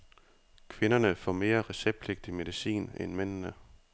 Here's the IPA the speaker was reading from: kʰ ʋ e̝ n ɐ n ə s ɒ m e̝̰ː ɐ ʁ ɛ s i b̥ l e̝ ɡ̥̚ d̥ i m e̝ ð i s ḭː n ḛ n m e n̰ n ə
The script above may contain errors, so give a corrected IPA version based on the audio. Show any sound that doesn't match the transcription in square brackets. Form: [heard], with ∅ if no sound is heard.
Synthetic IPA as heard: kʰ ʋ e̝ n ɐ n ə [f] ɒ m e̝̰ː ɐ ʁ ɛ s [e] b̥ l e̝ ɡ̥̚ d̥ i m e̝ ð i s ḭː n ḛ n m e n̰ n ə